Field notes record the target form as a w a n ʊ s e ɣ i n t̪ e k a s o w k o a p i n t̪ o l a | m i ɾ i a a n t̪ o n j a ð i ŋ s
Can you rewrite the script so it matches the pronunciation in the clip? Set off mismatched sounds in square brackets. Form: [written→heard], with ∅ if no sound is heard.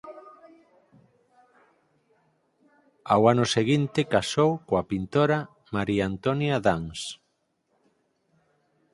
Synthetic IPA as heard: a w a n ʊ s e ɣ i n t̪ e k a s o w k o a p i n t̪ o [l→ɾ] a | m [i→a] ɾ i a a n t̪ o n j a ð [i→a] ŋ s